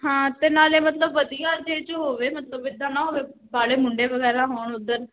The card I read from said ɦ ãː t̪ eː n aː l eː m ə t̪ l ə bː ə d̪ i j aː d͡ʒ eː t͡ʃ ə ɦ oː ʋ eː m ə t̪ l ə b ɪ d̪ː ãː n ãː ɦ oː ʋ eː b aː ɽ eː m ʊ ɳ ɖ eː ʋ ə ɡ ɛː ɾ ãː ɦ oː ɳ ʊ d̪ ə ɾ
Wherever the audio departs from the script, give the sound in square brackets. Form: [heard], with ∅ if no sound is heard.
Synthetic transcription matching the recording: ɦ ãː t̪ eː n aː l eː m ə t̪ l ə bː ə d̪ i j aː d͡ʒ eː t͡ʃ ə ɦ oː ʋ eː m ə t̪ l ə b ɪ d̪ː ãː n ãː ɦ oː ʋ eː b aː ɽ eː m ʊ ɳ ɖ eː ʋ ə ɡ ɛː ɾ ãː ɦ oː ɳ ʊ d̪ ə ɾ